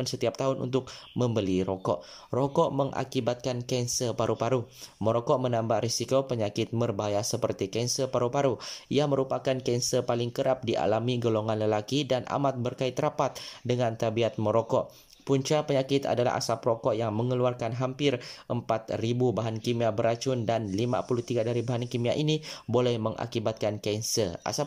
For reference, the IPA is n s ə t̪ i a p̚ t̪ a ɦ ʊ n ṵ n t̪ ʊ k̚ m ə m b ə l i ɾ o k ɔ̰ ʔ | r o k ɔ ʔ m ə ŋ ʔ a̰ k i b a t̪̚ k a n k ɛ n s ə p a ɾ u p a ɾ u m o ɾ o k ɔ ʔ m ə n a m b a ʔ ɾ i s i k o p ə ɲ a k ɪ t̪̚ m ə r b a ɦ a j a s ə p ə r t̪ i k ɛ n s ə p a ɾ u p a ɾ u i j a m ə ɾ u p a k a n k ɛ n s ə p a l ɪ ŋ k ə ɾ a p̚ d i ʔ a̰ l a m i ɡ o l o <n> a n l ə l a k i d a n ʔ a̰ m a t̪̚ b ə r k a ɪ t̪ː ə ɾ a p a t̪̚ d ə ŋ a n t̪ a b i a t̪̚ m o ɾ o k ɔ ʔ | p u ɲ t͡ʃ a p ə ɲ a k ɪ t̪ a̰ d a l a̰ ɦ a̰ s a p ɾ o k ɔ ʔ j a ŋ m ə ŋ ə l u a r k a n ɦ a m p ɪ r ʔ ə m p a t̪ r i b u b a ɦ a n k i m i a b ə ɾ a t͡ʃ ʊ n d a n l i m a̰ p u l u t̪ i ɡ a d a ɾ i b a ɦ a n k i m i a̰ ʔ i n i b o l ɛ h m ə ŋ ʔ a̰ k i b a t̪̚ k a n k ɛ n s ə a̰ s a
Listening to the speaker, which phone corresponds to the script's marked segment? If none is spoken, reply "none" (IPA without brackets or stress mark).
ŋ